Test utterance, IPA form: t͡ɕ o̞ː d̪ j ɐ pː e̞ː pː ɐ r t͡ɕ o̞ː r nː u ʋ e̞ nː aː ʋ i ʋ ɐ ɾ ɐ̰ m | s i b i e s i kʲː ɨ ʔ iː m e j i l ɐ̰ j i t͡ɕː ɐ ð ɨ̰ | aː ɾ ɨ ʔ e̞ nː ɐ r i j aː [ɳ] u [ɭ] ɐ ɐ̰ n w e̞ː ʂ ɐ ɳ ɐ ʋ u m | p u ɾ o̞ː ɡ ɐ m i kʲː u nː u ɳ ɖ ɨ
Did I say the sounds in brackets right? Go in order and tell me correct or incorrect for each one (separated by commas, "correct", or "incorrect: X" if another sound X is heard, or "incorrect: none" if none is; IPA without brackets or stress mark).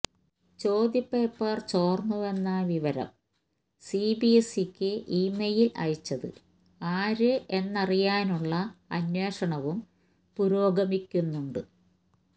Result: incorrect: n, incorrect: ɭː